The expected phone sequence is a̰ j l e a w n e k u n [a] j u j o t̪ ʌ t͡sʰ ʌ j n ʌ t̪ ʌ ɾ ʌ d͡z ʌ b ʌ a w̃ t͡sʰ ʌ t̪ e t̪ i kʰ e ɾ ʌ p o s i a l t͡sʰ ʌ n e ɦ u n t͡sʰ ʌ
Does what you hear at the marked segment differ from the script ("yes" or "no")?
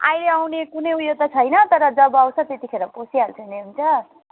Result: yes